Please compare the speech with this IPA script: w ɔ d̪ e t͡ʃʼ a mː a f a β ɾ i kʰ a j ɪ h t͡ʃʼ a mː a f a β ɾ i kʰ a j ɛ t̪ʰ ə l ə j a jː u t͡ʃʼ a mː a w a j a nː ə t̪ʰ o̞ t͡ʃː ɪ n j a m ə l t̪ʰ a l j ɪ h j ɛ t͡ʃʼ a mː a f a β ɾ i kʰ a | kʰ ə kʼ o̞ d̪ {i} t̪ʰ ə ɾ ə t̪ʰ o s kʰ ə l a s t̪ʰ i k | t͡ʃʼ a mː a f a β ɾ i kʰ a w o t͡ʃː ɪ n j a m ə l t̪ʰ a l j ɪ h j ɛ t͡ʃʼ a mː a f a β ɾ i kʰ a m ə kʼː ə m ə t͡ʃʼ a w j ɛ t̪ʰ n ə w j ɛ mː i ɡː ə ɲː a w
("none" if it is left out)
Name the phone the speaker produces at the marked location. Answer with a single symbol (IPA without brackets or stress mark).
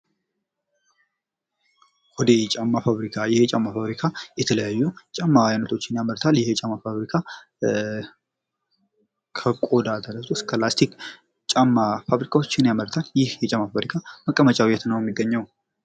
a